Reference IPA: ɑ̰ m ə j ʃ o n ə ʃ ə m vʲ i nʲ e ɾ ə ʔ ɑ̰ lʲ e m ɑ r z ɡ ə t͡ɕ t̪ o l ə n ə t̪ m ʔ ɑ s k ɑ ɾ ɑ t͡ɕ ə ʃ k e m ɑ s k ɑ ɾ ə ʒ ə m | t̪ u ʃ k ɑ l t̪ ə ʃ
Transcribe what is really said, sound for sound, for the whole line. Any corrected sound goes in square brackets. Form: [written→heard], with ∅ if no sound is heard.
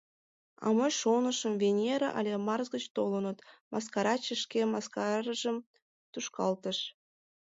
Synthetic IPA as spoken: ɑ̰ m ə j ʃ o n ə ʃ ə m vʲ [i→e] nʲ e ɾ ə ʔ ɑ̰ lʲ e m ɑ r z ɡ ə t͡ɕ t̪ o l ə n ə t̪ m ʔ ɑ s k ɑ ɾ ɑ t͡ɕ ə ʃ k e m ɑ s k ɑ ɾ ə ʒ ə m | t̪ u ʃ k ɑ l t̪ ə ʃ